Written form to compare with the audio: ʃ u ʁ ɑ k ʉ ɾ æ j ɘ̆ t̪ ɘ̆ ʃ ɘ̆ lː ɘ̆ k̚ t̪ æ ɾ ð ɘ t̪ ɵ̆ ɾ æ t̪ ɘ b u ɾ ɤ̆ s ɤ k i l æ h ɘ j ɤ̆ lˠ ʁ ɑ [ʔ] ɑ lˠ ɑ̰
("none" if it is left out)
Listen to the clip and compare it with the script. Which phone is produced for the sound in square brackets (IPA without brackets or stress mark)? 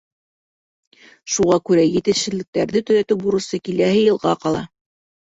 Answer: q